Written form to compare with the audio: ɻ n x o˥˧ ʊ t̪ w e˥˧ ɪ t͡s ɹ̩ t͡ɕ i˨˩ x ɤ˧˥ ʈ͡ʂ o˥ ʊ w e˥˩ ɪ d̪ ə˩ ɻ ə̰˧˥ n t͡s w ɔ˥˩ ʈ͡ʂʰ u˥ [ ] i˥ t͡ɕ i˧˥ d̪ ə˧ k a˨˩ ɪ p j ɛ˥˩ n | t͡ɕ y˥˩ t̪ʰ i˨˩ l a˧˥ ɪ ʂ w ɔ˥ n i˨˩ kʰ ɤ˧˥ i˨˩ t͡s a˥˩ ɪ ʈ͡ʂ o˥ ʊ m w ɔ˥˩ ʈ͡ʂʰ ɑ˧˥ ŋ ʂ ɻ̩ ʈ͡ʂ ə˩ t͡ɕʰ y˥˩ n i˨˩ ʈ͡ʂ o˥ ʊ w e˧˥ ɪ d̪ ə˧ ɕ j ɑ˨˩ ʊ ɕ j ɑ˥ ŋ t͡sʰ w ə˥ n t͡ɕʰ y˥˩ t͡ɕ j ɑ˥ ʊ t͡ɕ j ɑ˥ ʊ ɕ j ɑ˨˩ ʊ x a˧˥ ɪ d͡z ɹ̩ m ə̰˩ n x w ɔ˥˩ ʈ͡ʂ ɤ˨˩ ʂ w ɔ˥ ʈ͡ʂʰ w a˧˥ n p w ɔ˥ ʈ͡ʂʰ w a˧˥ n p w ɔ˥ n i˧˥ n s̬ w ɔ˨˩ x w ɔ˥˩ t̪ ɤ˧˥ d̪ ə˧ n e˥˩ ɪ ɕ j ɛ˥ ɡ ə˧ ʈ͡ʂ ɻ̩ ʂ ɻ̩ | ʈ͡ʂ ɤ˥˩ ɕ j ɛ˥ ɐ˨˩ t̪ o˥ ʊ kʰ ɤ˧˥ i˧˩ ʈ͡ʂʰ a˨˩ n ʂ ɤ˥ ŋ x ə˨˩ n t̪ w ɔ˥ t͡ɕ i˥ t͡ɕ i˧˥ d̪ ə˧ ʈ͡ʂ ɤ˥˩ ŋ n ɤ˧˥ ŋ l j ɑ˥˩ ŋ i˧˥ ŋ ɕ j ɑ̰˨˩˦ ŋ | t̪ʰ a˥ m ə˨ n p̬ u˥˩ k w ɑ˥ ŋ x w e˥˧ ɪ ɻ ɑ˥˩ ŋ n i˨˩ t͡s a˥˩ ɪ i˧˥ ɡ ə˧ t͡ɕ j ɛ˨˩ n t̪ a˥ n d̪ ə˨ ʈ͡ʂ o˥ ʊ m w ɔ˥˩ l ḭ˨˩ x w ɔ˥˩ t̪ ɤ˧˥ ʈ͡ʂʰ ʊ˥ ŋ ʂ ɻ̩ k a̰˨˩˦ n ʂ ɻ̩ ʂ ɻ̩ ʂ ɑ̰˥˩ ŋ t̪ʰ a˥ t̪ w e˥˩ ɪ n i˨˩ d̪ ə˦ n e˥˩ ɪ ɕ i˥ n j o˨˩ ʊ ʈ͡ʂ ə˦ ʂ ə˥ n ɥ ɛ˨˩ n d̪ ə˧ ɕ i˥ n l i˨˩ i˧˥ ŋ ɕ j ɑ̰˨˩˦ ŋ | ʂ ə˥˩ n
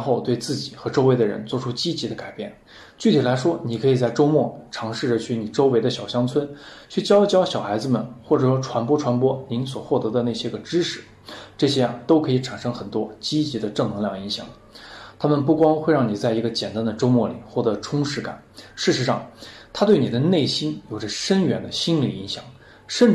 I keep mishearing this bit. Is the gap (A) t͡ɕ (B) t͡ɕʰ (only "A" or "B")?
A